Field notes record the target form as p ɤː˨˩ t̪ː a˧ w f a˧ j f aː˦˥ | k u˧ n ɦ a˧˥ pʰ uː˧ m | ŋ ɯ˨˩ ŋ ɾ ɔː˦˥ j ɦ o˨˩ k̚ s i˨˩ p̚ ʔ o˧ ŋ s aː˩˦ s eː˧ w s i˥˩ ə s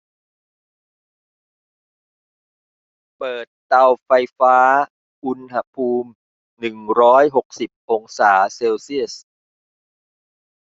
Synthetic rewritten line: p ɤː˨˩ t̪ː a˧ w f a˧ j f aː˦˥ | ʔ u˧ n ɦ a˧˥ pʰ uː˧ m | n ɯ˨˩ ŋ ɾ ɔː˦˥ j ɦ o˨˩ k̚ s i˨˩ p̚ ʔ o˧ ŋ s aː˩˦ s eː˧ w s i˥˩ ə s

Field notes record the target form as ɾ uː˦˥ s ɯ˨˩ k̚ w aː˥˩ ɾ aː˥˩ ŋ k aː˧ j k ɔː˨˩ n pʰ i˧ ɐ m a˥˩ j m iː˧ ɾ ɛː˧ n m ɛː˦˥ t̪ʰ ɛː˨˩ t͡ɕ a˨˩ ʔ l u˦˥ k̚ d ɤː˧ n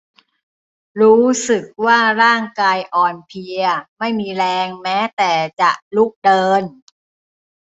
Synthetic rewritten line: ɾ uː˦˥ s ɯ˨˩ k̚ w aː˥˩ ɾ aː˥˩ ŋ k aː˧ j ʔ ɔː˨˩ n pʰ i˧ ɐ m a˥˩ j m iː˧ ɾ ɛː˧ ŋ m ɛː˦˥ t̪ ɛː˨˩ t͡ɕ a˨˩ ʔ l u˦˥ k̚ d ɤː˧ n

